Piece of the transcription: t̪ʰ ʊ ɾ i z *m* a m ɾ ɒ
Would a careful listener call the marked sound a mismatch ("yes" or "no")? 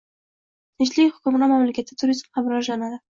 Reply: no